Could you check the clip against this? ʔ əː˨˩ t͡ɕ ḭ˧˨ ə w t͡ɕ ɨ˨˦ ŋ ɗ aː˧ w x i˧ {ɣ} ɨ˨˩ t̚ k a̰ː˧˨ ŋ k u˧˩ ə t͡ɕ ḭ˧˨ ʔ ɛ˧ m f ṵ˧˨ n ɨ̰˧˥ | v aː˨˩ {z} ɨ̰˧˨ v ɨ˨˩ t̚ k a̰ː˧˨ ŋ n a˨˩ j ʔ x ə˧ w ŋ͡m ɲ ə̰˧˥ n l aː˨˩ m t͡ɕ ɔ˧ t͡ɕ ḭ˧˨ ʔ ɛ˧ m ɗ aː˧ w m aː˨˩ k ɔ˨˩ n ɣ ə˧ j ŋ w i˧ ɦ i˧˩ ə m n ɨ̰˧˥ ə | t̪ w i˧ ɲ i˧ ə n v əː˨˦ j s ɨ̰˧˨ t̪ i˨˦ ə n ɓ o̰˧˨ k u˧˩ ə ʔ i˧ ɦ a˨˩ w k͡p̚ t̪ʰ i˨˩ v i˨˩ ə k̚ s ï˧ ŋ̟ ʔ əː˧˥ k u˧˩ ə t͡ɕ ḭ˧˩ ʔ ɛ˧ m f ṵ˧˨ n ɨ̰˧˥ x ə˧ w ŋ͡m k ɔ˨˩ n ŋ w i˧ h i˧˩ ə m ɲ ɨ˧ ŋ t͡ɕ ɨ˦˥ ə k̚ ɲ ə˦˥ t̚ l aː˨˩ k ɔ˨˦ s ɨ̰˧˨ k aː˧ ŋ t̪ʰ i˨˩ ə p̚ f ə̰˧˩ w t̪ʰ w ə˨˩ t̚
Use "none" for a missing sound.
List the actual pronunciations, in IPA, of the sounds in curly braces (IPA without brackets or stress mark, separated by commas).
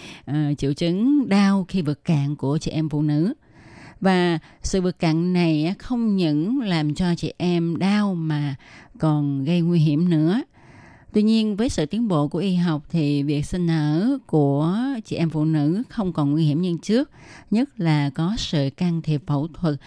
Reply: v, s